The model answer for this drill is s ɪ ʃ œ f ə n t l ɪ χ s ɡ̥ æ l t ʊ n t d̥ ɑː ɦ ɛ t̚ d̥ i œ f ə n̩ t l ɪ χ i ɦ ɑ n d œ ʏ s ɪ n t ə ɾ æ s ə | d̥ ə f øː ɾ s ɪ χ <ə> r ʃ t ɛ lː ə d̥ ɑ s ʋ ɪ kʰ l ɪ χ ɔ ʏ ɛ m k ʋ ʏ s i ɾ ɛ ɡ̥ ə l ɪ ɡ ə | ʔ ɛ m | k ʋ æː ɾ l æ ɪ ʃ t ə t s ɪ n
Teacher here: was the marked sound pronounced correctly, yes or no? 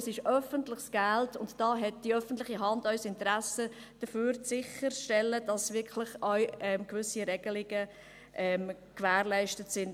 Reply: yes